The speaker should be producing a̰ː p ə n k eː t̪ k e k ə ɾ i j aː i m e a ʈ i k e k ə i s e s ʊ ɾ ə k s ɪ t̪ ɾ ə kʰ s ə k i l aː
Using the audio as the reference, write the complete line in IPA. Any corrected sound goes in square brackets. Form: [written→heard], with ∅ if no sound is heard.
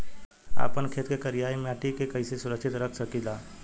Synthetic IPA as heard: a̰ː p ə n [k→kʰ] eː t̪ k e k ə ɾ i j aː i m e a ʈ i k e k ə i s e s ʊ ɾ ə k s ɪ t̪ ɾ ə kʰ s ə k i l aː